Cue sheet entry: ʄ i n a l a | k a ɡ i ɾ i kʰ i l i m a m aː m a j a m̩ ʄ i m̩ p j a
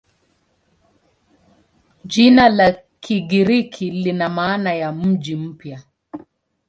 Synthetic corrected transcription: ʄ i n a l a | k i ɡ i ɾ i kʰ i l i n a m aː n a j a m̩ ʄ i m̩ p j a